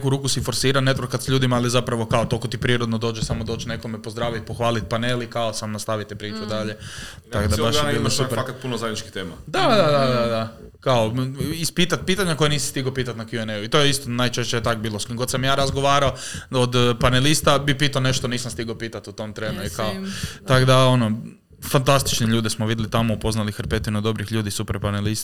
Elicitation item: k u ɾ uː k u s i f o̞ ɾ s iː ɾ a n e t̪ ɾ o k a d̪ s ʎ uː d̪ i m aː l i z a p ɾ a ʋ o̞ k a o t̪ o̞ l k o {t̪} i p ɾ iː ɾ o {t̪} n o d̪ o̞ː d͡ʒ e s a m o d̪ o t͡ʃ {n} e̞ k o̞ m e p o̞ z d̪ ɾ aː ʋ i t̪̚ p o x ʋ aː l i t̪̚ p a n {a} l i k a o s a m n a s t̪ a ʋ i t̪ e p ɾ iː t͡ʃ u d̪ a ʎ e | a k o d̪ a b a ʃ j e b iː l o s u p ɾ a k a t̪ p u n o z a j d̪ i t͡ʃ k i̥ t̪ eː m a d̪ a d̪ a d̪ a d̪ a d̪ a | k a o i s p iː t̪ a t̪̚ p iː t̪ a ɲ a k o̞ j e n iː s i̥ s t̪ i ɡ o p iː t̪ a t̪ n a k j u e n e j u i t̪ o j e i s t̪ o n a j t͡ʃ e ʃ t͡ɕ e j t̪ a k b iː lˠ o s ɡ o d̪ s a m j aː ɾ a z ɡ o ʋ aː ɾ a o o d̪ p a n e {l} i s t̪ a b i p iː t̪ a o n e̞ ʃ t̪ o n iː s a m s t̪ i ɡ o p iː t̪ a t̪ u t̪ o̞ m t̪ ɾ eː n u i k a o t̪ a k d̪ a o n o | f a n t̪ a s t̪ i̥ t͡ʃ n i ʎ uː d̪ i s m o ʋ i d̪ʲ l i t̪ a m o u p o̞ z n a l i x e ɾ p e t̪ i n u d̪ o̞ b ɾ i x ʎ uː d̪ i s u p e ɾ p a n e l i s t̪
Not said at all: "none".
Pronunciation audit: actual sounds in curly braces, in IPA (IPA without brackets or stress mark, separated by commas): t̪, d̪, n, e, l